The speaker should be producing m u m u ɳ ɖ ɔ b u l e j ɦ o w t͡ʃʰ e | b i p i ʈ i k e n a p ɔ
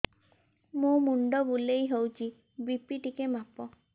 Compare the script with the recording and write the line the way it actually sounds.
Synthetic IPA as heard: m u m u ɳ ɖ ɔ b u l e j ɦ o w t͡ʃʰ i | b i p i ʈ i k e m a p ɔ